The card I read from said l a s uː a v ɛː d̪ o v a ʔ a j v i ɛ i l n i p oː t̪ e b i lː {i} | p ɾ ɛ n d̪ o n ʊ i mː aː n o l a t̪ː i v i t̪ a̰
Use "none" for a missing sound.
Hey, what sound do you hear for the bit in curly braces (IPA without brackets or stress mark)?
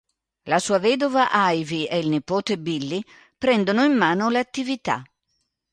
i